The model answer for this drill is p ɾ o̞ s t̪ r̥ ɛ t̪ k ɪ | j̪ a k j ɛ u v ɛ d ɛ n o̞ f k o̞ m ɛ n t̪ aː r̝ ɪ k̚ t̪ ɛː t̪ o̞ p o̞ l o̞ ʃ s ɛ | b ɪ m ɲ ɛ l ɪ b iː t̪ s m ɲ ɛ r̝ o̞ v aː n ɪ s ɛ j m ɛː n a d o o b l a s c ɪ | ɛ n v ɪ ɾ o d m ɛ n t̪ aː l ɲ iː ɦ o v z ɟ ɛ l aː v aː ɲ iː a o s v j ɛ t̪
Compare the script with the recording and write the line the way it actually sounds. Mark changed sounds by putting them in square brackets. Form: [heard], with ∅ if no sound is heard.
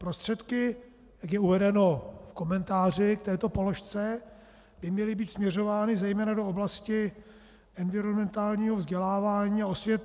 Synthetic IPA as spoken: p ɾ o̞ s t̪ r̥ ɛ t̪ k ɪ | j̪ a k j ɛ u v ɛ d ɛ n o̞ f k o̞ m ɛ n t̪ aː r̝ ɪ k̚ t̪ ɛː t̪ o̞ p o̞ l o̞ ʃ [t͡s] ɛ | b ɪ m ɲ ɛ l ɪ b iː t̪ s m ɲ ɛ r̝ o̞ v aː n ɪ [z] ɛ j m ɛː n a d o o b l a s c ɪ | ɛ n v ɪ ɾ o [n] m ɛ n t̪ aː l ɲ iː ɦ o v z ɟ ɛ l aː v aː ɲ iː a o s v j ɛ t̪